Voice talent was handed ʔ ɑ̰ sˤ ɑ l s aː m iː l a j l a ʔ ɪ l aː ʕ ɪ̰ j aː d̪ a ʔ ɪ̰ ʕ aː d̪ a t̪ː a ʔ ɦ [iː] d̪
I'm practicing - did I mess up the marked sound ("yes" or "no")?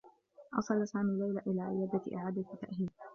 no